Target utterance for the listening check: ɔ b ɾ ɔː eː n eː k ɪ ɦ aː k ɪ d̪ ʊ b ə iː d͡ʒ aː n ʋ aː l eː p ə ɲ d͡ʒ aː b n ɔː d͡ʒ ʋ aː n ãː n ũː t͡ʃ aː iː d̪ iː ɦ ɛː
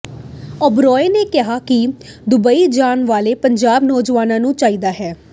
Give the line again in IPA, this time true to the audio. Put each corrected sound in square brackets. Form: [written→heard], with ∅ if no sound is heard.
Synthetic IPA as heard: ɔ b ɾ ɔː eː n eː k ɪ ɦ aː k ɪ d̪ ʊ b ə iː d͡ʒ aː n ʋ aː l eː p ə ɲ d͡ʒ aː b n ɔː d͡ʒ ʋ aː n ãː n ũː t͡ʃ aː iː d̪ [iː→aː] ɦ ɛː